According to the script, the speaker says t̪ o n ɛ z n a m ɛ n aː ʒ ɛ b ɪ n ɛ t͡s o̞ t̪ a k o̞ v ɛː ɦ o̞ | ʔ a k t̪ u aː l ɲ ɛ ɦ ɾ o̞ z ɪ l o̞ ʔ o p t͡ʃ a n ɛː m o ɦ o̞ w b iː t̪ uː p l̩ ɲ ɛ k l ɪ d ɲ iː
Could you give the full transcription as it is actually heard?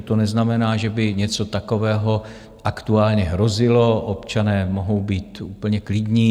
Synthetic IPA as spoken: t̪ o n ɛ z n a m ɛ n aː ʒ ɛ b ɪ ɲ ɛ t͡s o̞ t̪ a k o̞ v ɛː ɦ o̞ | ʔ a k t̪ u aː l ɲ ɛ ɦ ɾ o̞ z ɪ l o̞ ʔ o p t͡ʃ a n ɛː m o ɦ o̞ w b iː t̪ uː p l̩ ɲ ɛ k l ɪ d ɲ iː